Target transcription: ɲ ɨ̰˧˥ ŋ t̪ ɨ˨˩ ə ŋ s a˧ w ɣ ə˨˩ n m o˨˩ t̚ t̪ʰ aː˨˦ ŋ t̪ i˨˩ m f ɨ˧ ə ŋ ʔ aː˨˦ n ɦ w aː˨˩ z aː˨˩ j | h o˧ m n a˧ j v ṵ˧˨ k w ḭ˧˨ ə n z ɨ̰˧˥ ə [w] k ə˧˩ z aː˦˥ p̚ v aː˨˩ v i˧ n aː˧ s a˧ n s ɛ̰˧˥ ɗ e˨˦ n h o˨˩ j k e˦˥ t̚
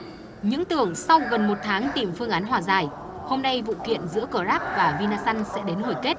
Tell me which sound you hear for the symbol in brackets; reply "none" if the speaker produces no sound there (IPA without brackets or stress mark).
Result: none